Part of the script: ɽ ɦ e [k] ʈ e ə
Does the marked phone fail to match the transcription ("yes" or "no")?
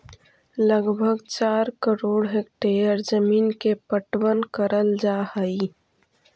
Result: no